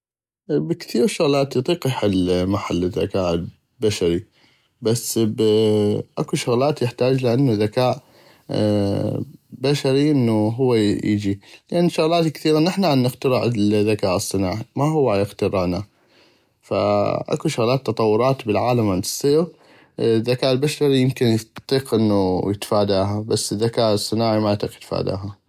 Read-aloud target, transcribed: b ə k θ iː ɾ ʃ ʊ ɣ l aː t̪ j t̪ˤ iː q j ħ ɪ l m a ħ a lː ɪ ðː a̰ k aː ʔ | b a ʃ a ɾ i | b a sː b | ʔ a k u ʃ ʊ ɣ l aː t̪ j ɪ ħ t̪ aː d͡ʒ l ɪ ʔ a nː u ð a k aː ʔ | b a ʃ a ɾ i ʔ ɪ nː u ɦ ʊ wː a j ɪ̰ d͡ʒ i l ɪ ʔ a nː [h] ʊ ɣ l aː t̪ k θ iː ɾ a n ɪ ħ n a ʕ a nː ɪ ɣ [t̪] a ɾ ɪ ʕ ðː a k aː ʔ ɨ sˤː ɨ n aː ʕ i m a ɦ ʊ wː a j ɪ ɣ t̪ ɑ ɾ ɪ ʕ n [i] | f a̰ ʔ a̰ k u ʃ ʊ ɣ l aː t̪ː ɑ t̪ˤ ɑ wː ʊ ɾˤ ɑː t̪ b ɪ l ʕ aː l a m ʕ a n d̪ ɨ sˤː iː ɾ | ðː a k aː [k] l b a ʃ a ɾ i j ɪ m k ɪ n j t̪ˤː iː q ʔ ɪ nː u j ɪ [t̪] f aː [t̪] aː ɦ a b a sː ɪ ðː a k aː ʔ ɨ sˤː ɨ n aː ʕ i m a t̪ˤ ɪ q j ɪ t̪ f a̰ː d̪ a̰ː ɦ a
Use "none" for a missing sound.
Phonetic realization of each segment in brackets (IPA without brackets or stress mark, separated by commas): ʃ, t̪, a, ʔ, t̪, d̪